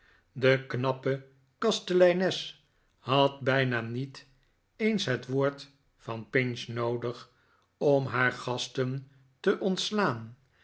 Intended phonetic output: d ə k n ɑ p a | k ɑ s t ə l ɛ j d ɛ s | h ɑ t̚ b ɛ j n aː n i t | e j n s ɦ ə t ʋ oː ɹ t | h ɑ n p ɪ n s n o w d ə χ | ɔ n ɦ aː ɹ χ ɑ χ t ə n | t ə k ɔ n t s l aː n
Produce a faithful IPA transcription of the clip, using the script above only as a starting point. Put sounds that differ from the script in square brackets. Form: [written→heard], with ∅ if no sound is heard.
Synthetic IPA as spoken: d ə k n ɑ p [a→ə] | k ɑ s t ə l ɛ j [d→n] ɛ s | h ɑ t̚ b ɛ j n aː n i t | e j n s ɦ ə t ʋ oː ɹ t | [h→f] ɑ n p ɪ n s n o w d ə χ | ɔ [n→m] ɦ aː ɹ χ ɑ [χ→s] t ə n | t ə [k→ʔ] ɔ n t s l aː n

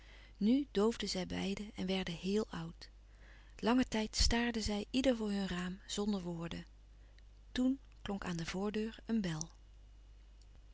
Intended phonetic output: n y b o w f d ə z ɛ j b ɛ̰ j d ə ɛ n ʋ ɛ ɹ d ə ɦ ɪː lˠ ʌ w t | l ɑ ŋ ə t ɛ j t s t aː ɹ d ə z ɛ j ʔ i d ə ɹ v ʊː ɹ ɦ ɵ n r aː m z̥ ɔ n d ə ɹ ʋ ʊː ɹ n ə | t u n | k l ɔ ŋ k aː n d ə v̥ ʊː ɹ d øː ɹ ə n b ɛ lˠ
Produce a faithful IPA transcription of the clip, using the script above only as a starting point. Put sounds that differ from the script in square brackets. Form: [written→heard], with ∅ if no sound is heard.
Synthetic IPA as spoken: n y [b→d] o w [f→v] d ə z ɛ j b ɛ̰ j d ə ɛ n ʋ ɛ ɹ d ə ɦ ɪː lˠ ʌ w t | l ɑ ŋ ə t ɛ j t s t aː ɹ d ə z ɛ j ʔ i d ə ɹ v ʊː ɹ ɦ ɵ n r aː m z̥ ɔ n d ə ɹ ʋ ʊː ɹ [n→d] ə | t u n | k l ɔ ŋ k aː n d ə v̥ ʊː ɹ d øː ɹ ə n b ɛ lˠ

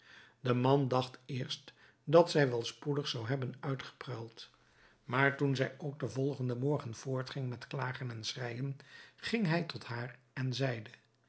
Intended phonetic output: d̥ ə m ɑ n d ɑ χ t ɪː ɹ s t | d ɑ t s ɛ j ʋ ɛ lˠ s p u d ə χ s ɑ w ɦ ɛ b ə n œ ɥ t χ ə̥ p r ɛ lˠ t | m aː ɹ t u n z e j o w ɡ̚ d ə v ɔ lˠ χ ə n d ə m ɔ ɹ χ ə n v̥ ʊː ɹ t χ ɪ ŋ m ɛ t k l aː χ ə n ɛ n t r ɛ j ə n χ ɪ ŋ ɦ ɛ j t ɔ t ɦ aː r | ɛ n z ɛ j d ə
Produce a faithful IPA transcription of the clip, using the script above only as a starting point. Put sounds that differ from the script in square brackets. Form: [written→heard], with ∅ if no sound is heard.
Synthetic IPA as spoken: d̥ ə m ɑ n d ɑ χ t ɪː ɹ s t | d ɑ t s ɛ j ʋ ɛ lˠ s p u d ə χ s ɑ w ɦ ɛ b ə n œ ɥ t χ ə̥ p r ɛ lˠ t | m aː ɹ t u n z [e→ɛ] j o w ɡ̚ d ə v ɔ lˠ χ ə n d ə m ɔ ɹ χ ə n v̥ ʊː ɹ t χ ɪ ŋ m ɛ t k l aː χ ə n ɛ n [t→s] r ɛ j ə n χ ɪ ŋ ɦ ɛ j t ɔ t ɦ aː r | ɛ n z ɛ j d ə

